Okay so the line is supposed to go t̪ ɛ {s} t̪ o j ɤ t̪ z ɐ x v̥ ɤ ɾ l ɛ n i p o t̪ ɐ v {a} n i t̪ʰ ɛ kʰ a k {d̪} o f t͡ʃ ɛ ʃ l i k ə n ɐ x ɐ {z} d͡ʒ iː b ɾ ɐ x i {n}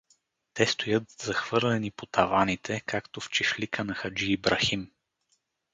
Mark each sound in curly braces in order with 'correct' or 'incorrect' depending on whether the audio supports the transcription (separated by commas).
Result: correct, correct, incorrect, incorrect, incorrect